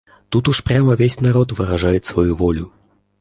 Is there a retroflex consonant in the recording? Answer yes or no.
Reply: yes